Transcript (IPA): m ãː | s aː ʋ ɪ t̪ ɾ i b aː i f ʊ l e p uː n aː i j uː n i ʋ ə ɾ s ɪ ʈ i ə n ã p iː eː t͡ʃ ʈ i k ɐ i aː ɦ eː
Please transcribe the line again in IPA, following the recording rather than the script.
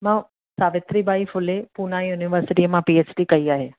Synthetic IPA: m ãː | s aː ʋ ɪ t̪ ɾ i b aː i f ʊ l e p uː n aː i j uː n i ʋ ə ɾ s ɪ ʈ i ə m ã p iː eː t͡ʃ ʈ i k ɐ i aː ɦ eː

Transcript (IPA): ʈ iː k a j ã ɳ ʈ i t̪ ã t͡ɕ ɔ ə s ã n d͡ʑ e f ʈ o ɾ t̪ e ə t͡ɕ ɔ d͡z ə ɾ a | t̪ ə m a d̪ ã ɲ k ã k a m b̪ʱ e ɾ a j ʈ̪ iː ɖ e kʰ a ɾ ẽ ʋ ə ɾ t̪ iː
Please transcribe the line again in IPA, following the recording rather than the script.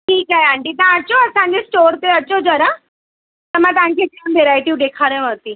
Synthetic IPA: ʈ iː k a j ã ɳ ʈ i t̪ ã t͡ɕ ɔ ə s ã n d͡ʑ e s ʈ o ɾ t̪ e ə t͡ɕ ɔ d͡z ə ɾ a | t̪ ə m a t̪ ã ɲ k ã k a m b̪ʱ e ɾ a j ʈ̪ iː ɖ e kʰ a ɾ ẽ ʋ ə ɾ t̪ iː

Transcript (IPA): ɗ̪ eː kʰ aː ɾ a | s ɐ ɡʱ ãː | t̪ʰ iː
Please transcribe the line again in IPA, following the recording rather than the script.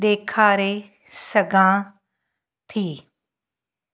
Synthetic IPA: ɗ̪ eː kʰ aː ɾ e | s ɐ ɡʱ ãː | t̪ʰ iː

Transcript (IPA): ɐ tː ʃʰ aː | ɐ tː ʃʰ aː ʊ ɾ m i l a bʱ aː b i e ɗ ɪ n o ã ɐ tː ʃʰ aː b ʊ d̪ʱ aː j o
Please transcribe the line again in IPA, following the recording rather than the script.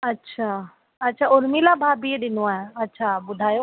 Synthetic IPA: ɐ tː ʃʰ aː | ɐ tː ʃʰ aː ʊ ɾ m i l a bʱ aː b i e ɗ ɪ n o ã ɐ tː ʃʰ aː b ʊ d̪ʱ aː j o

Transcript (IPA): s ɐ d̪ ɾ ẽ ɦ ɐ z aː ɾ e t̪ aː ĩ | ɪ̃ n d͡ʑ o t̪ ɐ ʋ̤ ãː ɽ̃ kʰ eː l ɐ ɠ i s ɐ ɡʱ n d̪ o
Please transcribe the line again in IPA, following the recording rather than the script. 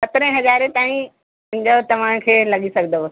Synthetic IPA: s ɐ t̪ ɾ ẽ ɦ ɐ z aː ɾ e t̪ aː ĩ | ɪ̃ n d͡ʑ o t̪ ɐ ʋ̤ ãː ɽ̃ kʰ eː l ɐ ɠ i s ɐ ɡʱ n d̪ o

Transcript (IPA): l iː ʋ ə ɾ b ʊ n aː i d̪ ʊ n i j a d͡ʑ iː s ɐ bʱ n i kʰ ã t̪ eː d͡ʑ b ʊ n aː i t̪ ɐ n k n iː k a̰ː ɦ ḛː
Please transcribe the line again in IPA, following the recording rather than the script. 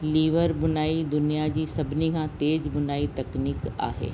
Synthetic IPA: l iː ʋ ə ɾ b ʊ n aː i d̪ ʊ n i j a d͡ʑ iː s ɐ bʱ n i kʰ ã t̪ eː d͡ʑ b ʊ n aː i t̪ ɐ k n iː k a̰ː ɦ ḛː

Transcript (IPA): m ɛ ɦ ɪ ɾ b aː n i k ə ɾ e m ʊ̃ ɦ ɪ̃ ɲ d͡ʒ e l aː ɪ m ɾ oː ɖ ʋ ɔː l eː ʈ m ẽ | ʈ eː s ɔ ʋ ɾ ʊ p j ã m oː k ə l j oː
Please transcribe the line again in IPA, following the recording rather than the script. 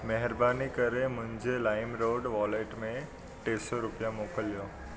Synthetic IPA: m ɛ ɦ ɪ ɾ b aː n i k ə ɾ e m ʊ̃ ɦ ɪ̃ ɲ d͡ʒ e l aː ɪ m ɾ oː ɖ ʋ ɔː l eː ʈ m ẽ | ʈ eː s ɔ ɾ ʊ p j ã m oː k ə l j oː

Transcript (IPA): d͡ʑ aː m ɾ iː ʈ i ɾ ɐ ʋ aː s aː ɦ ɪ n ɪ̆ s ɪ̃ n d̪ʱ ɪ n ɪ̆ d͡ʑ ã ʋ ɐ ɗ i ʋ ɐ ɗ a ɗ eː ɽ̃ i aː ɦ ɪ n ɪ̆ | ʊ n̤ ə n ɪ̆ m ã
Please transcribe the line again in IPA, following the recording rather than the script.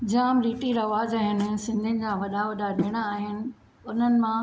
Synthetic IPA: d͡ʑ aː m ɾ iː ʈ i ɾ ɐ ʋ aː z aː ɦ ɪ n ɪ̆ s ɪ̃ n d̪ʱ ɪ n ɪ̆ d͡ʑ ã ʋ ɐ ɗ a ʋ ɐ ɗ a ɗ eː ɽ̃ a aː ɦ ɪ n ɪ̆ | ʊ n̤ ə n ɪ̆ m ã

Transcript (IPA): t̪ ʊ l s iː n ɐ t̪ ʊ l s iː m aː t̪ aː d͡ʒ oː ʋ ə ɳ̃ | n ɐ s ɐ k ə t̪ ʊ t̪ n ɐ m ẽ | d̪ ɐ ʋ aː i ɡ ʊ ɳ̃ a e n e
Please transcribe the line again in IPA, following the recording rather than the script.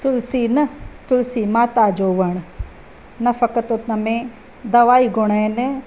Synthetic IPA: t̪ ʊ l s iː n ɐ t̪ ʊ l s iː m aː t̪ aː d͡ʒ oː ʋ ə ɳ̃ | n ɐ f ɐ k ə t̪ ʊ t̪ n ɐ m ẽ | d̪ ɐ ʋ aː i ɡ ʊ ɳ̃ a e n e

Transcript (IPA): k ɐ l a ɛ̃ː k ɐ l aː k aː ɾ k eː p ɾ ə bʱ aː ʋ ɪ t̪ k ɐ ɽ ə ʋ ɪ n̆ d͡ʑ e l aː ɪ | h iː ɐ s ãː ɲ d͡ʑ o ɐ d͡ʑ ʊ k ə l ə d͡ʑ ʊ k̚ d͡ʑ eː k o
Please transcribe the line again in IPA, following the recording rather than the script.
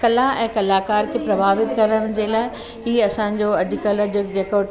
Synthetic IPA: k ɐ l a ɛ̃ː k ɐ l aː k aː ɾ kʰ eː p ɾ ɐ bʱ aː ʋ ɪ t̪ k ɐ ɾ ə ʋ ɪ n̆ d͡ʑ e l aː ɪ | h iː ɐ s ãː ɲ d͡ʑ o ɐ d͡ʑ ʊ k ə l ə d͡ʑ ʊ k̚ d͡ʑ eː k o

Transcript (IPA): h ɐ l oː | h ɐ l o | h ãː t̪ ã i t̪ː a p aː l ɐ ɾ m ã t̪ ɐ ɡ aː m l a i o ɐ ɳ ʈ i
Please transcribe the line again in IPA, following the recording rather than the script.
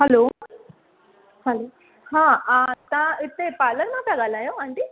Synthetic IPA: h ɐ l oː | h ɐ l o | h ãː t̪ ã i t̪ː e p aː l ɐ ɾ m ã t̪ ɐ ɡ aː l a j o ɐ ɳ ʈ i

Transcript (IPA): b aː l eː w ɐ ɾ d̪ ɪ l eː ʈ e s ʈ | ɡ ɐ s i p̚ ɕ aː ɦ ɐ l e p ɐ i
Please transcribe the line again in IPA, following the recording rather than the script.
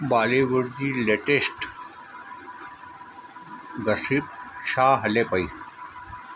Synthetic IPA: b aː l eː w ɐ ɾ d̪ i l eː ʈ e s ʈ | ɡ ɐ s i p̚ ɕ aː ɦ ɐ l e p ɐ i

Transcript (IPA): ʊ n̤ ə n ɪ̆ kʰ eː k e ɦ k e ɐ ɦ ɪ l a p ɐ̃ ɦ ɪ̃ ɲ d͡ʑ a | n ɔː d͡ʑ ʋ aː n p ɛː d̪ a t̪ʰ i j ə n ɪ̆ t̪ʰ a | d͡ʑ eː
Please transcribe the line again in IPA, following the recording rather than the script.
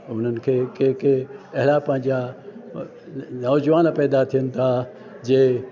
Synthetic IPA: ʊ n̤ ə n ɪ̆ kʰ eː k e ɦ k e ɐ ɦ ɪ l a p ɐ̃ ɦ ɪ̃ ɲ d͡ʑ a | n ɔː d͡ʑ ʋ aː n p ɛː d̪ a t̪ʰ i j ə n ɪ̆ t̪ʰ a | d͡ʑ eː

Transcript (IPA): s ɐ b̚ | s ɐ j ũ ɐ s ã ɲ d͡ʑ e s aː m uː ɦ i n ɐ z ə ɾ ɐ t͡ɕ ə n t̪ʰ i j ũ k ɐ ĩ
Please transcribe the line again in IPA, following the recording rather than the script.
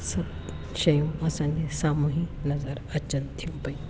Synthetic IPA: s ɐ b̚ | ʃ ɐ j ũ ɐ s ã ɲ d͡ʑ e s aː m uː ɦ i n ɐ z ə ɾ ɐ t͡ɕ ə n t̪ʰ i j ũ p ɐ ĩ

